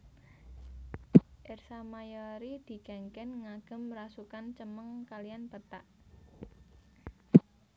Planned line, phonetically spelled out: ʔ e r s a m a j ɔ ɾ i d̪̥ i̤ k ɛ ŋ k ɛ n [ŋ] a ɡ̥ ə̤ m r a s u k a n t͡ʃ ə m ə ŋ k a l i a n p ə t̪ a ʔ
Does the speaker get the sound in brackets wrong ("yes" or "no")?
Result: no